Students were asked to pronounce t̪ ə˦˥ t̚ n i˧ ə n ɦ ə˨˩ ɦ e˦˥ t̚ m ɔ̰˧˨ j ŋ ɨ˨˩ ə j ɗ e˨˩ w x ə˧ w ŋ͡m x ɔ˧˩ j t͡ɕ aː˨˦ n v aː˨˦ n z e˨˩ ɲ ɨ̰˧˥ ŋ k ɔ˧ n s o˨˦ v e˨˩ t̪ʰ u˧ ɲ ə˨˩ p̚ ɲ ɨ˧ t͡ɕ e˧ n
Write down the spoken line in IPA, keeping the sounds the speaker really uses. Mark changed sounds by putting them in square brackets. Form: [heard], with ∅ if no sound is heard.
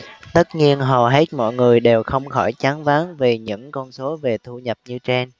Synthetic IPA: t̪ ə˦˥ t̚ [ɲ] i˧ ə n ɦ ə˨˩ ɦ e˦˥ t̚ m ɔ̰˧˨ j ŋ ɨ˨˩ ə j ɗ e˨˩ w x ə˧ w ŋ͡m x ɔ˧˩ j t͡ɕ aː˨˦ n v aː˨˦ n [v] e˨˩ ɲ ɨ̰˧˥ ŋ k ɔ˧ n s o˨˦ v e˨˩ t̪ʰ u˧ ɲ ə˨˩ p̚ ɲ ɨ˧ t͡ɕ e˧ n

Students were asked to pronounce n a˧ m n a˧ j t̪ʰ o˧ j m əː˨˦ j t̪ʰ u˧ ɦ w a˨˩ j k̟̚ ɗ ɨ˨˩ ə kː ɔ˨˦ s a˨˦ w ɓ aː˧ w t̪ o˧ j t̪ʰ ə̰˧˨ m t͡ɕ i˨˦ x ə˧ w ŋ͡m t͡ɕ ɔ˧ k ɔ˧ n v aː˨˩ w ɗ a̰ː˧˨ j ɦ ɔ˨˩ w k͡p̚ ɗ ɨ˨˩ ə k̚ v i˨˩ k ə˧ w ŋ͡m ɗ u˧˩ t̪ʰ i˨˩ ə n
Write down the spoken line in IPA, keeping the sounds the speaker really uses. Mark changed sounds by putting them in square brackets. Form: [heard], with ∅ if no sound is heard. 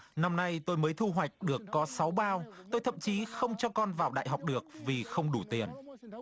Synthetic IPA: n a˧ m n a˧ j [t̪] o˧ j m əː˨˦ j t̪ʰ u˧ ɦ w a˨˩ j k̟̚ ɗ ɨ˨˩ ə kː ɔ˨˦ s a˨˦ w ɓ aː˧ w t̪ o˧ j t̪ʰ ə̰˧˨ m t͡ɕ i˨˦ x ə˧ w ŋ͡m t͡ɕ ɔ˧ k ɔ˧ n v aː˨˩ w ɗ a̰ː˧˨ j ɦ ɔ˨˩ w k͡p̚ ɗ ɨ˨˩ ə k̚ v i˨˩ [x] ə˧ w ŋ͡m ɗ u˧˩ [t̪] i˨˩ ə n

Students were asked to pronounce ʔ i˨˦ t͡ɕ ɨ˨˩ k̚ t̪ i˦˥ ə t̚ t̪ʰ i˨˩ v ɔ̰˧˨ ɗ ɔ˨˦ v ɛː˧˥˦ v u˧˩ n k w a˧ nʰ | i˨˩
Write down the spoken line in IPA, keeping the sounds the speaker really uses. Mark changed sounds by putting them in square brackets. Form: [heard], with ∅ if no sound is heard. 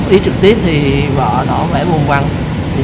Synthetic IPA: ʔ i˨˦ t͡ɕ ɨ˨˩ k̚ t̪ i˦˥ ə [p̚] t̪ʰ i˨˩ v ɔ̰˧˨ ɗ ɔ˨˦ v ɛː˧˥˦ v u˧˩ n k w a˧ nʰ | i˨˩

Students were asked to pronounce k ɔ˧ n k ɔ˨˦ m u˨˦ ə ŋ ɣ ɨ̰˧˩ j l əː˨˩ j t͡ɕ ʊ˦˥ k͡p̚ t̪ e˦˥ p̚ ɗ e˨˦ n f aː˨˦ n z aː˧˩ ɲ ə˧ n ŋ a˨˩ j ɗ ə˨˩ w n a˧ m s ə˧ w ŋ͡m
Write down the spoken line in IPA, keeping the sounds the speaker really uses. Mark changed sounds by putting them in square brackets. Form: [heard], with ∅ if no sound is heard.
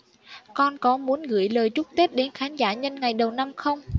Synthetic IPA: k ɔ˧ n k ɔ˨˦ m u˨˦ ə [n] ɣ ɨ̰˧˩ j l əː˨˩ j t͡ɕ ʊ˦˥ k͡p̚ t̪ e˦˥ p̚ ɗ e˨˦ n [x] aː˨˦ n z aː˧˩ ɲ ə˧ n ŋ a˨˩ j ɗ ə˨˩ w n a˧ m [x] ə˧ w ŋ͡m

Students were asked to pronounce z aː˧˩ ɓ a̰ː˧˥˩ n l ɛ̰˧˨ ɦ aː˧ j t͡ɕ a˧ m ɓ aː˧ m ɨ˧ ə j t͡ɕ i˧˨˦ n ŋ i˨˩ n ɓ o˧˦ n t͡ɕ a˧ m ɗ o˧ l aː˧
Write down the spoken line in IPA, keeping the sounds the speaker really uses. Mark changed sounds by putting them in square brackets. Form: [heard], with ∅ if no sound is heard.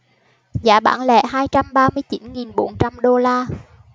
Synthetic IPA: z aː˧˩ ɓ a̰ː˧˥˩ n l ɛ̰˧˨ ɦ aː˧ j t͡ɕ a˧ m ɓ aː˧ m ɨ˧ ə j t͡ɕ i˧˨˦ n ŋ i˨˩ n ɓ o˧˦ n t͡ɕ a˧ m ɗ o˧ l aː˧

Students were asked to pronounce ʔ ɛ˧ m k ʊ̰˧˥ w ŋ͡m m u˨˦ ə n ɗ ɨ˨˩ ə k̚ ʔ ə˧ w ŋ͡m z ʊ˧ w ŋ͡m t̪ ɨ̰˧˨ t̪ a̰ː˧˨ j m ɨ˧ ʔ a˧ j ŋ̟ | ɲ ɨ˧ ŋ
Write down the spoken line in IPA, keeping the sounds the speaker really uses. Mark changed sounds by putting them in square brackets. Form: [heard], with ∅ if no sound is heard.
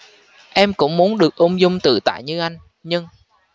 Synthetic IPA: ʔ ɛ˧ m k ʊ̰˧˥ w ŋ͡m m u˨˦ ə n ɗ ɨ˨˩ ə k̚ ʔ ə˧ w ŋ͡m z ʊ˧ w ŋ͡m t̪ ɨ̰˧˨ t̪ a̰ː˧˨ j [ɲ] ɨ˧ ʔ a˧ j ŋ̟ | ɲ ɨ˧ ŋ

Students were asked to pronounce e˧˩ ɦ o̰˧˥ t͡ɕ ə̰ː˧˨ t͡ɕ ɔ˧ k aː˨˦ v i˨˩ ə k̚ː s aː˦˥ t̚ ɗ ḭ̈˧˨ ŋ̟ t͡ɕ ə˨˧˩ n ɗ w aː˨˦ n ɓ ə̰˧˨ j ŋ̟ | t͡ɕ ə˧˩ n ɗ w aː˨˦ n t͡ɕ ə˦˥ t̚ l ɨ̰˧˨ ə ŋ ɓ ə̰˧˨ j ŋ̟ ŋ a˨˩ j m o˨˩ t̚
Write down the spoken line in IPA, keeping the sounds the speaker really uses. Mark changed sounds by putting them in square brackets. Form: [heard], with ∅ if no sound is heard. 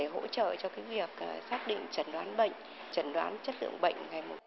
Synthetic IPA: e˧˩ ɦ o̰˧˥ t͡ɕ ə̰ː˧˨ t͡ɕ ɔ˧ k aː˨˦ v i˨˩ ə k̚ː s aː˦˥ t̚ ɗ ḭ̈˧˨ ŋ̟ t͡ɕ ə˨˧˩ n ɗ w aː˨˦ n ɓ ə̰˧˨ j ŋ̟ | t͡ɕ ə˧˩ n ɗ w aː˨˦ n t͡ɕ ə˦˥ t̚ l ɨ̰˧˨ ə ŋ ɓ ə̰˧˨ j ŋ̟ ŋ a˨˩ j m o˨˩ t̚

